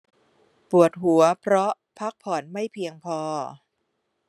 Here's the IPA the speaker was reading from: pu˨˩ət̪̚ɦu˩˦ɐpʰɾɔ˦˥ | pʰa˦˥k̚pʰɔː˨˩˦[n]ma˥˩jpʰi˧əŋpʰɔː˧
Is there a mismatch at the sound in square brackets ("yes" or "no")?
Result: no